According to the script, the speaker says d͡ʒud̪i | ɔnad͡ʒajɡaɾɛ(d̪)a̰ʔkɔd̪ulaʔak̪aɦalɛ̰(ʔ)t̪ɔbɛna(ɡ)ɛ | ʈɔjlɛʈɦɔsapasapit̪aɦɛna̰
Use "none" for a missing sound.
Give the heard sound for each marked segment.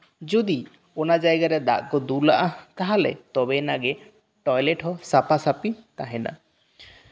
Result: d̪, none, ɡ

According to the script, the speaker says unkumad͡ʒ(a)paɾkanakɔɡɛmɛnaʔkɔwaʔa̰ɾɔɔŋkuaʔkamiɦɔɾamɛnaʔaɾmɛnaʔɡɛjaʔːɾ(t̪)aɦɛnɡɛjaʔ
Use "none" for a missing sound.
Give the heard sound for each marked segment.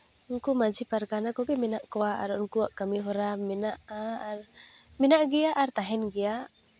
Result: i, t̪

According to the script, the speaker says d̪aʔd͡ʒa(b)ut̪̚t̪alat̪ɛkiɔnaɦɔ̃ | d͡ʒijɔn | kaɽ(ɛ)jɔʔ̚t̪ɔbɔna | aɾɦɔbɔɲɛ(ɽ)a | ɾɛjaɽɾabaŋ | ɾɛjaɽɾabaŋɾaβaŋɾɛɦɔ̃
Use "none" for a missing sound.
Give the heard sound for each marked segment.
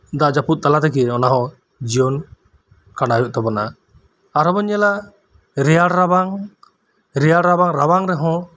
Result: p, a, l

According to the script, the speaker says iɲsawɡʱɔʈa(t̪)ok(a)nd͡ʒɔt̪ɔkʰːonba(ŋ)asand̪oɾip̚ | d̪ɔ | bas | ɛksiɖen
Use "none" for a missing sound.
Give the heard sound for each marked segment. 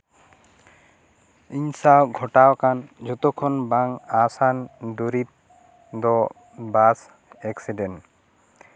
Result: none, a, ŋ

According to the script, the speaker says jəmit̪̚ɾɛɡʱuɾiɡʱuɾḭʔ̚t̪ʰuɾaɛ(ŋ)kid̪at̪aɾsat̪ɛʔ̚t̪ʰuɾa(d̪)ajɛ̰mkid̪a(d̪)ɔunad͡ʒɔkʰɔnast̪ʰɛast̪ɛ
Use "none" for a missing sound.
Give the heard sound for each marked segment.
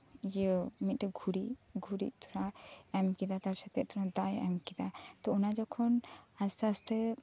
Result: m, d̪, t̪

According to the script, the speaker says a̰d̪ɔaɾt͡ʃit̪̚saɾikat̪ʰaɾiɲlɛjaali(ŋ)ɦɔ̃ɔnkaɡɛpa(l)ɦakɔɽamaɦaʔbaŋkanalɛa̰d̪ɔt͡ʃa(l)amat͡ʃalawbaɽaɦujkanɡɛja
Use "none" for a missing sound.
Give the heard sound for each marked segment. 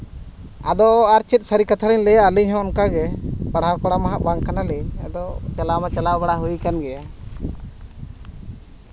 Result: ɲ, ɽ, l

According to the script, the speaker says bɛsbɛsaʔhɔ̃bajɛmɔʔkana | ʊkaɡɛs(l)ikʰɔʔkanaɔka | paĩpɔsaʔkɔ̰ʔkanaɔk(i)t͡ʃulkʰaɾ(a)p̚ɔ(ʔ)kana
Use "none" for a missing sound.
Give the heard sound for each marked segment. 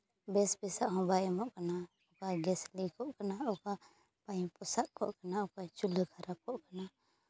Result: l, a, a, ʔ

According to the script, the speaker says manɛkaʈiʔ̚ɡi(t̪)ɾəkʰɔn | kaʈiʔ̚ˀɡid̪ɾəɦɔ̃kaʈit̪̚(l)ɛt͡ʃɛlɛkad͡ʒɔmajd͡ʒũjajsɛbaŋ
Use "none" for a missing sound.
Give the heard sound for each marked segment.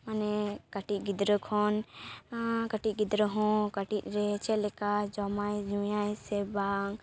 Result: d̪, ɾ

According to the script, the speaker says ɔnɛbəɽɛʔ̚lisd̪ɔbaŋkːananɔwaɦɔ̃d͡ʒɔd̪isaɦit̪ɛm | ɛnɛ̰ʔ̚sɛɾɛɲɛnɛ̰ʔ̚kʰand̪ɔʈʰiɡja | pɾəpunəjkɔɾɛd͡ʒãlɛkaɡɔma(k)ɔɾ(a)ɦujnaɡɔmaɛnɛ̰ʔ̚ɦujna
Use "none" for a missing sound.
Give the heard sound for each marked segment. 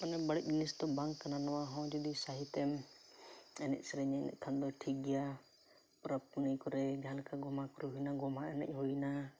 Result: k, ɛ

